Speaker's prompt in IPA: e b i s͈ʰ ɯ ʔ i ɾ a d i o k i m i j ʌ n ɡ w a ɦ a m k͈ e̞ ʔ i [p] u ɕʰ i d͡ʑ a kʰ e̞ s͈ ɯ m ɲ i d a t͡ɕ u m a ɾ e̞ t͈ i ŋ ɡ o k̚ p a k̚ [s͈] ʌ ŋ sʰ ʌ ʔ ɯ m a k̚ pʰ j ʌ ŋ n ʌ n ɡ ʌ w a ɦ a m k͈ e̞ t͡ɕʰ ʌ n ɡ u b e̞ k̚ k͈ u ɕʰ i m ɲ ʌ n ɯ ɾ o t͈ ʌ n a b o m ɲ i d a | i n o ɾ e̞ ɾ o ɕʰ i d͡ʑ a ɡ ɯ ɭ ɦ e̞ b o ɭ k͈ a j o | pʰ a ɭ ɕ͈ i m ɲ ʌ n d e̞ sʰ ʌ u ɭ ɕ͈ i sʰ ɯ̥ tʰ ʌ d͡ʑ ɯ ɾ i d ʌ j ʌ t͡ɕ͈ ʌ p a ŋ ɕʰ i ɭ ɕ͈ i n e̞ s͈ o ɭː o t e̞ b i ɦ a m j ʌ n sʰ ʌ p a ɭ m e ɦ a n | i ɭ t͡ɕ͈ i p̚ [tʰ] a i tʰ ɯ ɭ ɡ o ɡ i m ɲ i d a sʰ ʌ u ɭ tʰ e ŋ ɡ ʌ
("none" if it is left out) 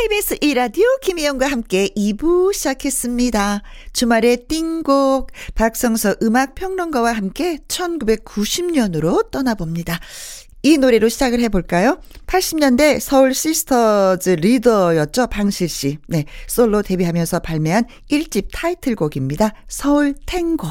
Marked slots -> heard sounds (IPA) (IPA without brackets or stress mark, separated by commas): b, s͈, tʰ